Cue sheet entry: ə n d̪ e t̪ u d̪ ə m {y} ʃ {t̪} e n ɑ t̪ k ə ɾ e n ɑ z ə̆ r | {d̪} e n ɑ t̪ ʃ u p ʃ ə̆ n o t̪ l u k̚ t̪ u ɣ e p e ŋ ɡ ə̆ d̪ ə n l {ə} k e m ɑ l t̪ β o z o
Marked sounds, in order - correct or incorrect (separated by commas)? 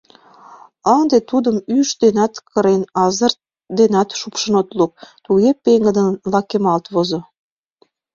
correct, incorrect, correct, incorrect